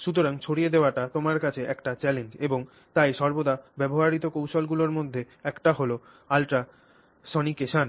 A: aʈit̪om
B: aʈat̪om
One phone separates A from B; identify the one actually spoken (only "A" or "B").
B